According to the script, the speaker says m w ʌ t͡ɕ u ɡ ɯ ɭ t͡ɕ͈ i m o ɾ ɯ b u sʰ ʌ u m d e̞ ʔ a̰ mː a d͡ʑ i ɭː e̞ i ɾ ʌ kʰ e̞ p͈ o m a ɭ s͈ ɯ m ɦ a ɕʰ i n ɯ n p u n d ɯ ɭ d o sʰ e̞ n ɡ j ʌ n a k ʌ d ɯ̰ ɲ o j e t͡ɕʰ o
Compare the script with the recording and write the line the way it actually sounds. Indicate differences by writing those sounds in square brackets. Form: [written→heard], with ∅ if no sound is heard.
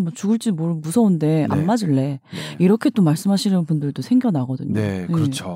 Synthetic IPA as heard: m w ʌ t͡ɕ u ɡ ɯ ɭ t͡ɕ͈ i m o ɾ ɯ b u sʰ ʌ u [m→n] d e̞ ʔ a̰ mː a d͡ʑ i ɭː e̞ i ɾ ʌ kʰ e̞ [p͈→t͈] o m a ɭ s͈ ɯ m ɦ a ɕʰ i n ɯ n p u n d ɯ ɭ d o sʰ e̞ [n→ŋ] ɡ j ʌ n a [k→ɡ] ʌ d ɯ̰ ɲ o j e t͡ɕʰ o